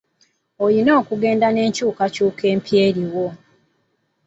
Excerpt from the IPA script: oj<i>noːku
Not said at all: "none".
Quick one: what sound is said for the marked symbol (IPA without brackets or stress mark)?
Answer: i